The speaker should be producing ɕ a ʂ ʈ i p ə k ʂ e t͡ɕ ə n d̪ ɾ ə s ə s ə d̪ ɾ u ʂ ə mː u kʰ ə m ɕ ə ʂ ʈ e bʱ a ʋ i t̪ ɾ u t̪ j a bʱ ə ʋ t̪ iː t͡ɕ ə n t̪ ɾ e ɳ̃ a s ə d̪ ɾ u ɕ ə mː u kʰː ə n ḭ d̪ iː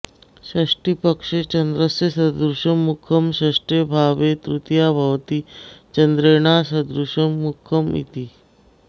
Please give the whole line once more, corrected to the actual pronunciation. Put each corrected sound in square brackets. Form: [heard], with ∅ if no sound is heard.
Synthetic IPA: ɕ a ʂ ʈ i p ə k ʂ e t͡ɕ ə n d̪ ɾ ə s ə s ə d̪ ɾ u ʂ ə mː u kʰ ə m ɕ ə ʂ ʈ e bʱ a ʋ [e] t̪ ɾ u t̪ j a bʱ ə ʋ t̪ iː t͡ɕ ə n [d̪] ɾ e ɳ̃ a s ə d̪ ɾ u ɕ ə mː u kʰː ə [m] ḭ [t̪] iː

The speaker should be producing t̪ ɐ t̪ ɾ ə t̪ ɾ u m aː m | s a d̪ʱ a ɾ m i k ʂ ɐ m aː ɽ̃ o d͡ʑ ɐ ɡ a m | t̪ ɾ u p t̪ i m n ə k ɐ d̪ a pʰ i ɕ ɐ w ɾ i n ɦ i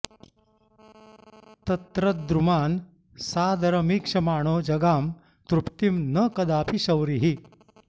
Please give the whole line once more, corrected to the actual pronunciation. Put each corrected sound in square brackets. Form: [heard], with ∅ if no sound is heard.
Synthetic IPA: t̪ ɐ t̪ ɾ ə [d̪] ɾ u m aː [n] | s a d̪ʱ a ɾ m i k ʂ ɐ m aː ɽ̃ o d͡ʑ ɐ ɡ a m | t̪ ɾ u p t̪ i m n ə k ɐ d̪ a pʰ i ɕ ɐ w ɾ i [∅] ɦ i

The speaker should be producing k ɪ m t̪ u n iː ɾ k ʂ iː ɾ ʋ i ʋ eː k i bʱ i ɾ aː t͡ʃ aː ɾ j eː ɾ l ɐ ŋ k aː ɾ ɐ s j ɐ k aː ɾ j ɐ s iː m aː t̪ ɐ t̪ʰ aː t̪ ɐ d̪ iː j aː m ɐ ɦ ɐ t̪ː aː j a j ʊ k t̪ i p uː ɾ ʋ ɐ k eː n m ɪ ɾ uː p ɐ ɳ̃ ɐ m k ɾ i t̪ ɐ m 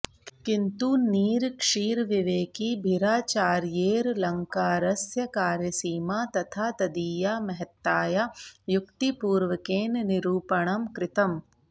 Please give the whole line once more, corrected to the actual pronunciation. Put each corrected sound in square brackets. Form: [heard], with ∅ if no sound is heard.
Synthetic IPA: k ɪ [n] t̪ u n iː ɾ k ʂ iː ɾ ʋ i ʋ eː k i bʱ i ɾ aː t͡ʃ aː ɾ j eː ɾ l ɐ ŋ k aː ɾ ɐ s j ɐ k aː ɾ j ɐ s iː m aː t̪ ɐ t̪ʰ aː t̪ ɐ d̪ iː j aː m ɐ ɦ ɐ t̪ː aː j a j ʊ k t̪ i p uː ɾ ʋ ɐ k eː n [n] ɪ ɾ uː p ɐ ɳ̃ ɐ m k ɾ [ɪ] t̪ ɐ m

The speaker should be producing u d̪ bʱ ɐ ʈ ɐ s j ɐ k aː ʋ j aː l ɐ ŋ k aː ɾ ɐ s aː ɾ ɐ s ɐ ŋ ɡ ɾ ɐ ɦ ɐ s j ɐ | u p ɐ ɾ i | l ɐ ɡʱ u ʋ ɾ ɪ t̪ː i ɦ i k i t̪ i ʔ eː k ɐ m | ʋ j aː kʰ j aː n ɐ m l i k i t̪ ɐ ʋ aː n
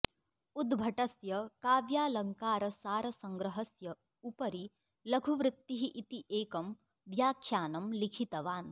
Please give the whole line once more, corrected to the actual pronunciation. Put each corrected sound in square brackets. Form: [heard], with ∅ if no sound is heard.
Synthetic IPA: u d̪ bʱ ɐ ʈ ɐ s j ɐ k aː ʋ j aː l ɐ ŋ k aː ɾ ɐ s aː ɾ ɐ s ɐ ŋ ɡ ɾ ɐ ɦ ɐ s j ɐ | u p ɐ ɾ i | l ɐ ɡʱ u ʋ ɾ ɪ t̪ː i ɦ i [ʔ] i t̪ i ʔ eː k ɐ m | ʋ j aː kʰ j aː n ɐ m l i [kʰ] i t̪ ɐ ʋ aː n

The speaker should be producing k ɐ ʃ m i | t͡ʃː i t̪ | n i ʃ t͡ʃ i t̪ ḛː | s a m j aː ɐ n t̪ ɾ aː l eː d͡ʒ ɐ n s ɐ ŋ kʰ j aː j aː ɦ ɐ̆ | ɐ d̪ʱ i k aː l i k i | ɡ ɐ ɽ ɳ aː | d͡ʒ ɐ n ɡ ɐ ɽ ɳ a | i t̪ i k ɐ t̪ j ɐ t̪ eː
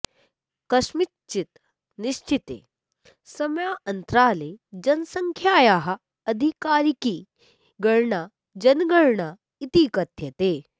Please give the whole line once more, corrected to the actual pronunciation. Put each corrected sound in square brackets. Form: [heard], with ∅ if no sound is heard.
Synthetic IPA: k ɐ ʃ m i | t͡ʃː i t̪ | n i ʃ t͡ʃ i t̪ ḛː | s [ɐ] m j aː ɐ n t̪ ɾ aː l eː d͡ʒ ɐ n s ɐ ŋ kʰ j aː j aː ɦ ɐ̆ | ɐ d̪ʱ i k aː [ɾ] i k i | ɡ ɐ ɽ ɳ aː | d͡ʒ ɐ n ɡ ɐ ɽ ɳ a | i t̪ i k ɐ t̪ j ɐ t̪ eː

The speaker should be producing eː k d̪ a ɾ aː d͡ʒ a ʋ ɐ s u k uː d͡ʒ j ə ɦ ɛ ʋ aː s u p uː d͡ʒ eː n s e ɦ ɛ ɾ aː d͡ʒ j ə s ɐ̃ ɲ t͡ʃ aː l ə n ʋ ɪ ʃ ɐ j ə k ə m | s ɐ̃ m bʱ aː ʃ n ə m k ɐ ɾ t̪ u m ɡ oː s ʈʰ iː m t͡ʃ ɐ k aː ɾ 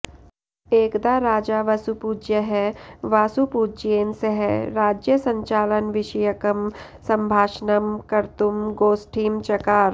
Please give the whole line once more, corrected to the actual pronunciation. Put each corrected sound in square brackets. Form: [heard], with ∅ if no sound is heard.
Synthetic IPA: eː k d̪ a ɾ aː d͡ʒ a ʋ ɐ s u [p] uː d͡ʒ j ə ɦ ɛ ʋ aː s u p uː d͡ʒ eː n s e ɦ ɛ ɾ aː d͡ʒ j ə s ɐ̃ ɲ t͡ʃ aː l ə n ʋ ɪ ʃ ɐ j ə k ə m | s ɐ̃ m bʱ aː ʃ n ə m k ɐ ɾ t̪ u m ɡ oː s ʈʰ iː m t͡ʃ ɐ k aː ɾ

